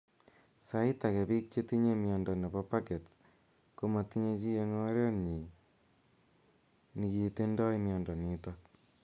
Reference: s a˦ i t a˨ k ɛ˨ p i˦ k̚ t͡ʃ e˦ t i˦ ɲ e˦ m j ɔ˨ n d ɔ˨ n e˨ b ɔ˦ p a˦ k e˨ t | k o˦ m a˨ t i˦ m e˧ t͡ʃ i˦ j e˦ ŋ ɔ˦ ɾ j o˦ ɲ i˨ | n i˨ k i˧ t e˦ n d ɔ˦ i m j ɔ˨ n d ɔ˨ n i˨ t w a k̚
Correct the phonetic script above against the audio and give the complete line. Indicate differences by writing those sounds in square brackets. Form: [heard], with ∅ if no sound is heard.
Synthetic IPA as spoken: s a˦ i t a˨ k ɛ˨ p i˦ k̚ t͡ʃ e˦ t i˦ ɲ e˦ m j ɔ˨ n d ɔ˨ n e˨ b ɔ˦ p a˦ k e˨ t | k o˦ m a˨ t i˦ [ɲ] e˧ t͡ʃ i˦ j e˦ ŋ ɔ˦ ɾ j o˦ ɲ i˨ | n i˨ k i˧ t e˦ n d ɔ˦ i m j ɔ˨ n d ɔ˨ n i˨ t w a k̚